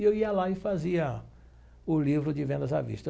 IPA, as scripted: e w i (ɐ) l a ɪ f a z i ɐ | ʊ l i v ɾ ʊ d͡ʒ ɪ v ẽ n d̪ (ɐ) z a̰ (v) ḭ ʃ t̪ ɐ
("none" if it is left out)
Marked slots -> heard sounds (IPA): ɐ, ɐ, v

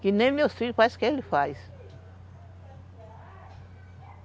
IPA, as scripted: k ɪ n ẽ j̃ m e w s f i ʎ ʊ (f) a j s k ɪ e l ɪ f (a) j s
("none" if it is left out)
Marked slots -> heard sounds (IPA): f, a

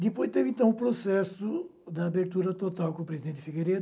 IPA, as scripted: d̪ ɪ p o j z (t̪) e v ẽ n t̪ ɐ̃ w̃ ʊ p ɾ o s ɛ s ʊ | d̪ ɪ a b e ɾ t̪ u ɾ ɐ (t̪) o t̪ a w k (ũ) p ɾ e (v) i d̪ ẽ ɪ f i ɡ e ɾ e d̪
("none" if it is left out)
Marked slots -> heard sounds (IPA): t̪, t̪, õ, z

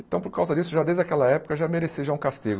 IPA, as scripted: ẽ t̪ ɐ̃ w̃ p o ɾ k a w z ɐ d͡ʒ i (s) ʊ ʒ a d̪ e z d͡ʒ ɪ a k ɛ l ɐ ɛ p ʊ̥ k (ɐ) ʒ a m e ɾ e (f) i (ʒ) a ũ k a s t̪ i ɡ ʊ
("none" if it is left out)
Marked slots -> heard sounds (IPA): s, ɐ, s, ʒ

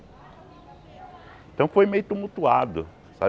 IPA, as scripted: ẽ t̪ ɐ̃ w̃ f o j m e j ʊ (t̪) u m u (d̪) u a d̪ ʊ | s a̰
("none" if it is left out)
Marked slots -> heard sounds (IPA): t̪, t̪

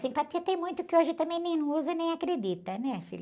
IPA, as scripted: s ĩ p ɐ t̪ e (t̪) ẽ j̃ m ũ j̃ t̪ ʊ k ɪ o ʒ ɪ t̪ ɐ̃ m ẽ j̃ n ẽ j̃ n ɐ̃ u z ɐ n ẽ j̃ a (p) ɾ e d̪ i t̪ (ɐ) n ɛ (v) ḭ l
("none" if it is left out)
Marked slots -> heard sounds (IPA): t̪, k, ɐ, f

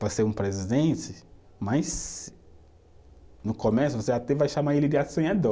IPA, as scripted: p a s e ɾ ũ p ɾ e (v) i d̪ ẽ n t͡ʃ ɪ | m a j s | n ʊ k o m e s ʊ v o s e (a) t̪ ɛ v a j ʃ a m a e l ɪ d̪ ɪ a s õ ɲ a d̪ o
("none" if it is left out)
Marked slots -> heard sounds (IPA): z, a

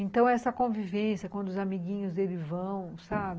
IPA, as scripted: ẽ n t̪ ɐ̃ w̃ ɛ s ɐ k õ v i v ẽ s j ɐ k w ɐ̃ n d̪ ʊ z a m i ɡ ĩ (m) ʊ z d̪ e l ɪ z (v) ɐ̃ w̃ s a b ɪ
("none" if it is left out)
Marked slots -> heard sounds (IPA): ɲ, v

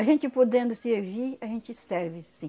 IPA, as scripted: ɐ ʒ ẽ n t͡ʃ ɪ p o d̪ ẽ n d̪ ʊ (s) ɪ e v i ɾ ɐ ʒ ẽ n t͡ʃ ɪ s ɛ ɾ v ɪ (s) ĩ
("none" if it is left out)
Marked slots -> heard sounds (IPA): s, s

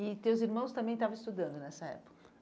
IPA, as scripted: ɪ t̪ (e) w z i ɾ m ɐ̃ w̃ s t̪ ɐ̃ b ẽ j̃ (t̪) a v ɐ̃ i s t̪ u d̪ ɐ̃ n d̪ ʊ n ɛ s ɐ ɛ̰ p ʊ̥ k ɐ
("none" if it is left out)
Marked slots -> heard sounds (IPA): e, t̪

